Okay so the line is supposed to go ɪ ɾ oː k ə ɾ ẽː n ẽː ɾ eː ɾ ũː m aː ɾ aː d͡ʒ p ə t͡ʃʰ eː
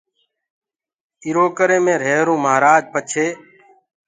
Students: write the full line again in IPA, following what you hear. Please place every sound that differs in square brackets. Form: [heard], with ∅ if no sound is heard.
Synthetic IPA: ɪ ɾ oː k ə ɾ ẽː [m] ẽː ɾ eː ɾ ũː m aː ɾ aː d͡ʒ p ə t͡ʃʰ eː